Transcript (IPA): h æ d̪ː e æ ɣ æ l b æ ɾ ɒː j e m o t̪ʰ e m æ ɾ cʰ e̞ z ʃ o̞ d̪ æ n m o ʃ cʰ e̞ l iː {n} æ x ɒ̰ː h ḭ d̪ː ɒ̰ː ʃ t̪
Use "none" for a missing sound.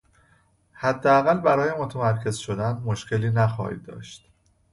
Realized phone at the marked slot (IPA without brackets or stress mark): n